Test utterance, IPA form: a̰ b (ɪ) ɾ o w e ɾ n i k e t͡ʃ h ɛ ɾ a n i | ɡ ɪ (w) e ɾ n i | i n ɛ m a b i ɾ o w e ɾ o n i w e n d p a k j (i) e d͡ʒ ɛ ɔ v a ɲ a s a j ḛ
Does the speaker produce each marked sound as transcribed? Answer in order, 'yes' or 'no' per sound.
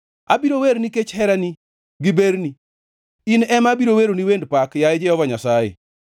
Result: no, no, no

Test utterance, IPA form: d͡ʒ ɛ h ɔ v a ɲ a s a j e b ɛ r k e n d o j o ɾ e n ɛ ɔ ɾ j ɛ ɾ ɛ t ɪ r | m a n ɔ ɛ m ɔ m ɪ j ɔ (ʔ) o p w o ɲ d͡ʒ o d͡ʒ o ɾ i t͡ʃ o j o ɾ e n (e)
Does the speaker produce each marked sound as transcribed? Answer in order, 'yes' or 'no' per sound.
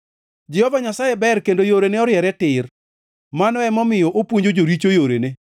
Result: yes, yes

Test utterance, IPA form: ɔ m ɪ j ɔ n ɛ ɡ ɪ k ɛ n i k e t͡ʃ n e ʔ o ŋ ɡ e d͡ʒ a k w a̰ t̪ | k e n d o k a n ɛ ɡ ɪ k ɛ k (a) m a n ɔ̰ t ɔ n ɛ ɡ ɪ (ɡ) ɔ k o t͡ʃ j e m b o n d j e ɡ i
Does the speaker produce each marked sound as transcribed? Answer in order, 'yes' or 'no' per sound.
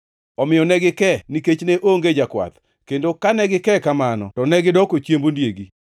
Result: yes, no

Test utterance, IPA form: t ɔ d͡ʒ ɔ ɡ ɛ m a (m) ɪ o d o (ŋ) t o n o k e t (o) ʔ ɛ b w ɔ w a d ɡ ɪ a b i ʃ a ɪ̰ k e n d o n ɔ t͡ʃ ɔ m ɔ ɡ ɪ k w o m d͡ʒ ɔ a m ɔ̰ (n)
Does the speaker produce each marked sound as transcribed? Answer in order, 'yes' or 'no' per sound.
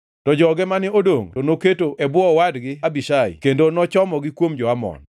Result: no, yes, yes, yes

